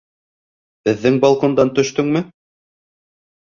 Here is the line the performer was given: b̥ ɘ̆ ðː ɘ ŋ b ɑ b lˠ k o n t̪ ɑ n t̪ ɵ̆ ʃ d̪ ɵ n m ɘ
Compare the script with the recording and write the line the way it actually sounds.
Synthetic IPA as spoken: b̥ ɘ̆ ðː ɘ ŋ b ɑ lˠ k o n d̪ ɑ n t̪ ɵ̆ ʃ t̪ ɵ ŋ m ɘ